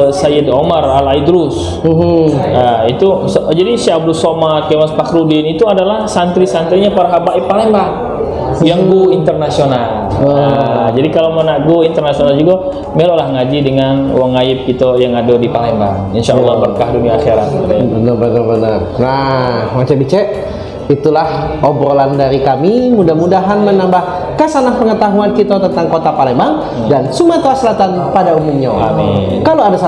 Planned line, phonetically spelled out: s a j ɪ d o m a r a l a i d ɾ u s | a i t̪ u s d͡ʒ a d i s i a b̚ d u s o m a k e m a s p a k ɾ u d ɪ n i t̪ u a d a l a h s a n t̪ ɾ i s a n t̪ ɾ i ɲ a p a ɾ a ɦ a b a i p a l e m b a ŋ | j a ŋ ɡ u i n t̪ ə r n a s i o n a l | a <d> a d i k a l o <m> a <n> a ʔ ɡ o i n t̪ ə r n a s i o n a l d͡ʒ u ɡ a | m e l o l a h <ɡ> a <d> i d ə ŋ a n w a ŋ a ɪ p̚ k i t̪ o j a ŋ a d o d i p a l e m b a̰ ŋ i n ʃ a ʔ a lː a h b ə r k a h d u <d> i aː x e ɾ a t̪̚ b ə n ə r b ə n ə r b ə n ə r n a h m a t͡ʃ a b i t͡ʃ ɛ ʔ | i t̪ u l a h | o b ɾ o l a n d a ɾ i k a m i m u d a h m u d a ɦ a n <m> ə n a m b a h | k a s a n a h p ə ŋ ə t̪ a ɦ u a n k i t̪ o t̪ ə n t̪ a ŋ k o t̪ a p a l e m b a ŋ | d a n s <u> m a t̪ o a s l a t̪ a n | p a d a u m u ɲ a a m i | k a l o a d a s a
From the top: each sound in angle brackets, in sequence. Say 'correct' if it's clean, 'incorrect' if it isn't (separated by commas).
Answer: incorrect, correct, correct, incorrect, incorrect, incorrect, correct, correct